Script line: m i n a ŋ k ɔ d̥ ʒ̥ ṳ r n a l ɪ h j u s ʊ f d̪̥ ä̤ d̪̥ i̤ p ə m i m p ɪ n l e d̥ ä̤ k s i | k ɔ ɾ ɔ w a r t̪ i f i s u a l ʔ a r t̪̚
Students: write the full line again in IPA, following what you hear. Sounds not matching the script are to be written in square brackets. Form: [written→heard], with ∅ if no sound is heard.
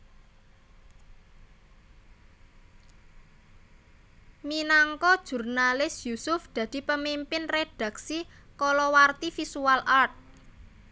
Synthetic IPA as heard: m i n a ŋ k ɔ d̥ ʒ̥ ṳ r n a l ɪ [h→s] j u s ʊ f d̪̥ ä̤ d̪̥ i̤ p ə m i m p ɪ n [l→r] e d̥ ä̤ k s i | k ɔ [ɾ→l] ɔ w a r t̪ i f i s u a l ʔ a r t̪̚